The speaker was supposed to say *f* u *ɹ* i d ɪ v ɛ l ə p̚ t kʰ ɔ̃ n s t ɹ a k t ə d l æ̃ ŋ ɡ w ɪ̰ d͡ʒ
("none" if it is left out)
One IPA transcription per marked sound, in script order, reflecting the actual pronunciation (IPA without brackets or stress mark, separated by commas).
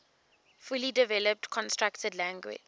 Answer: f, l